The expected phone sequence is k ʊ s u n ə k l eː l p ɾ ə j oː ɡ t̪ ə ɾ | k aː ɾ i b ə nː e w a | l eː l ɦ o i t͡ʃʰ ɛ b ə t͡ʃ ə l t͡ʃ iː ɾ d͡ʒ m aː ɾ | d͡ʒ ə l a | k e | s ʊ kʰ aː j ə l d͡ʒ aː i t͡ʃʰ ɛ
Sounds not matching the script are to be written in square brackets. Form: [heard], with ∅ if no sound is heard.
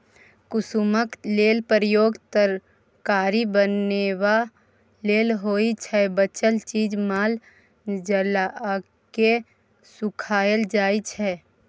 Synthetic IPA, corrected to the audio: k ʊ s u [m] ə k l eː l p ɾ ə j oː ɡ t̪ ə ɾ | k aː ɾ i b ə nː e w a | l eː l ɦ o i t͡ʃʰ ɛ b ə t͡ʃ ə l t͡ʃ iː [∅] d͡ʒ m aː [l] | d͡ʒ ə l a | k e | s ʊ kʰ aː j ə l d͡ʒ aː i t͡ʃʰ ɛ